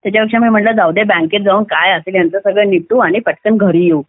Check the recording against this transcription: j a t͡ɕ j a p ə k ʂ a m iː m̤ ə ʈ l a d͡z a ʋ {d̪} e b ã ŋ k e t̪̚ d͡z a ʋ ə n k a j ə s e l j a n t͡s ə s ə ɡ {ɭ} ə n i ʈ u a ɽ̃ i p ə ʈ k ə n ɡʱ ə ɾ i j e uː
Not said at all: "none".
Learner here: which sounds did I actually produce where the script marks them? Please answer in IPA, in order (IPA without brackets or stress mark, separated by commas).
d̪, ɭ